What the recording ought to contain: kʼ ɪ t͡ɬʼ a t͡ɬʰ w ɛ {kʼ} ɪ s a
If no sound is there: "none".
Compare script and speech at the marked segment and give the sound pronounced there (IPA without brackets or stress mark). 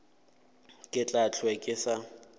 kʼ